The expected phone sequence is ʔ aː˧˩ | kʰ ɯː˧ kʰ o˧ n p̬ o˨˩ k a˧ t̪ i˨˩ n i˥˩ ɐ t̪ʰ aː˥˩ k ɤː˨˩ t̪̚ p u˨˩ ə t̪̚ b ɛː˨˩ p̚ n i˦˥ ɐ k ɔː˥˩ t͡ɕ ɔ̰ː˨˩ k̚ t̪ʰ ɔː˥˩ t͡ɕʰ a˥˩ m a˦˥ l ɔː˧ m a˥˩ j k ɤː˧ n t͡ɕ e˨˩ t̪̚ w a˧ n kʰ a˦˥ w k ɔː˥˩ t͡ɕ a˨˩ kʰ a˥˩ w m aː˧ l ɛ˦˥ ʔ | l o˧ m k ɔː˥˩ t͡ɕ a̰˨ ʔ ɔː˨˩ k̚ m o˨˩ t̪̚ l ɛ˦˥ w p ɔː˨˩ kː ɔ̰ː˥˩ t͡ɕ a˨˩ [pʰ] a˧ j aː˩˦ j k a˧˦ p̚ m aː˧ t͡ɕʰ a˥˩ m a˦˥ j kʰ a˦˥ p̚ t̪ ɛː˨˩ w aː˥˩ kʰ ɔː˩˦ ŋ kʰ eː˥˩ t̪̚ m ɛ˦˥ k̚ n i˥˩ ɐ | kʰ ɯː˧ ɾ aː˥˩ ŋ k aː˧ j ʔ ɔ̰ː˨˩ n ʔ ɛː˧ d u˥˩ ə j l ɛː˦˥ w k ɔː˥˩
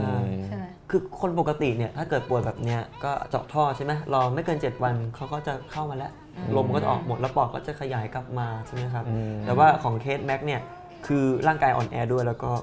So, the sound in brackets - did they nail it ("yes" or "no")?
no